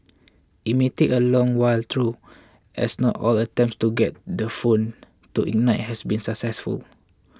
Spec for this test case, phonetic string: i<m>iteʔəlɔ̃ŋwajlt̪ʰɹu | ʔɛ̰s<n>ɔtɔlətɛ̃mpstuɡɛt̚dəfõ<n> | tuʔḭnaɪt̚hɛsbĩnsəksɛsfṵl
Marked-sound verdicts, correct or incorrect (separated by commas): correct, correct, correct